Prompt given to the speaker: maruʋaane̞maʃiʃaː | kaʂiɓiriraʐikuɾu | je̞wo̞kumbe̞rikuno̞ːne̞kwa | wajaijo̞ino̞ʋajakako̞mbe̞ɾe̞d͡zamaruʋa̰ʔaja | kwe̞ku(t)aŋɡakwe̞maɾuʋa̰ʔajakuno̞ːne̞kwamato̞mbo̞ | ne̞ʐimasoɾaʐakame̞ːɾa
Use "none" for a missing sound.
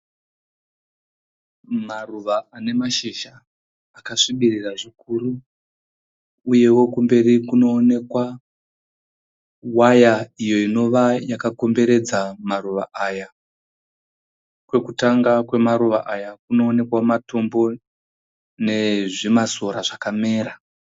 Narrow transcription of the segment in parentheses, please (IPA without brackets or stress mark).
t